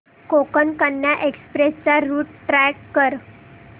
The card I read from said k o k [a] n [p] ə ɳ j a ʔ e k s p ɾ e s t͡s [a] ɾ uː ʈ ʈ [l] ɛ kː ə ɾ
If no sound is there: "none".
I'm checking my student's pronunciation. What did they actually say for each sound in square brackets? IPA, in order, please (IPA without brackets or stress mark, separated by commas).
ə, k, a, ɾ